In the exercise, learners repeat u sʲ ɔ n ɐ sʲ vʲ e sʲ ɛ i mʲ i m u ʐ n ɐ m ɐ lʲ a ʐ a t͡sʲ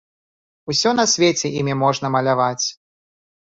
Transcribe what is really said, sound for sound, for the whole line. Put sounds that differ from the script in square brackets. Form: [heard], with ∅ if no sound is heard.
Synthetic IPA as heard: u sʲ ɔ n ɐ sʲ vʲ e [t͡sʲ] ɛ i mʲ i m [ɔ] ʐ n ɐ m ɐ lʲ a [v] a t͡sʲ